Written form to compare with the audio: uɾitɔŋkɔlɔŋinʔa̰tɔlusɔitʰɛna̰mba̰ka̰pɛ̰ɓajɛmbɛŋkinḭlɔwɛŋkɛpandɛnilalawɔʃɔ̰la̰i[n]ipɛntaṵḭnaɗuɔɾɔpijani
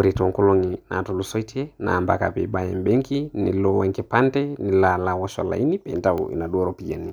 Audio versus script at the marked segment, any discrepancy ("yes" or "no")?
no